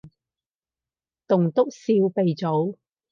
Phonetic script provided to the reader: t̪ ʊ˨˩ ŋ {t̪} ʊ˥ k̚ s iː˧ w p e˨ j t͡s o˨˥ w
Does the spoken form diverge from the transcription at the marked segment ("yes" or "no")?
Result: no